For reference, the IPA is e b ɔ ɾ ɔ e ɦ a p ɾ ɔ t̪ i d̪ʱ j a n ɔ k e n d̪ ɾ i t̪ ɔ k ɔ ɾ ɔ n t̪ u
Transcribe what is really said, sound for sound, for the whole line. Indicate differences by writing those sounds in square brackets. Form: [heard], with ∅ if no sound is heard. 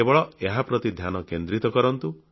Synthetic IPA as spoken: e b ɔ [ɭ] ɔ e ɦ a p ɾ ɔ t̪ i d̪ʱ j a n ɔ k e n d̪ ɾ i t̪ ɔ k ɔ ɾ ɔ n t̪ u

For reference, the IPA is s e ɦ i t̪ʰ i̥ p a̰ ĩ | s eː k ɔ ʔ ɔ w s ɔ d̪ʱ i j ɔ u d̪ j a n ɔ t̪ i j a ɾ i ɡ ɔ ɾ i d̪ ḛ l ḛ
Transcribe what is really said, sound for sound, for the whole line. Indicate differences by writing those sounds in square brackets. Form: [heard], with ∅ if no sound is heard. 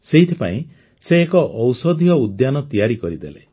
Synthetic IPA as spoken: s e ɦ i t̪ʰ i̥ p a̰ ĩ | s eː k ɔ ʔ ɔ w s ɔ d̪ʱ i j ɔ u d̪ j a n ɔ t̪ i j a ɾ i [k] ɔ ɾ i d̪ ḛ l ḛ

